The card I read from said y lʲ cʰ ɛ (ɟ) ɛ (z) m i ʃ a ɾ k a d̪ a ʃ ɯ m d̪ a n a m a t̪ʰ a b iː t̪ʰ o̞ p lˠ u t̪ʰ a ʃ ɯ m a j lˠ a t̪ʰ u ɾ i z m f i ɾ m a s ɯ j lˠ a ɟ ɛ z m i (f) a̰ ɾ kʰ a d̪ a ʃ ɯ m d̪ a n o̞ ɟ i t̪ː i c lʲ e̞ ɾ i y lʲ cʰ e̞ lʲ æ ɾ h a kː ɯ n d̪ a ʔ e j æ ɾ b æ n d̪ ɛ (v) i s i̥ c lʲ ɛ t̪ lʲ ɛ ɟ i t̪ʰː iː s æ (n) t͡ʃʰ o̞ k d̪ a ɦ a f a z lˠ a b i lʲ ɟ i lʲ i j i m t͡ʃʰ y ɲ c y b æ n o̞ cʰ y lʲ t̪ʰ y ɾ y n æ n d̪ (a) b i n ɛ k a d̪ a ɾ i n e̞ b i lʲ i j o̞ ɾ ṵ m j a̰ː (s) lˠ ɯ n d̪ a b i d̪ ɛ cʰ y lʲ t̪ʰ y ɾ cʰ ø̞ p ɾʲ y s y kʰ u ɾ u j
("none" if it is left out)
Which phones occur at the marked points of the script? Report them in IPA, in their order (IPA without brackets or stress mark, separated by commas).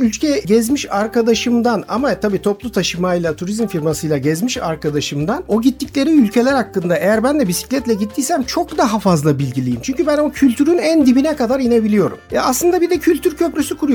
ɟ, z, ʃ, b, m, i, s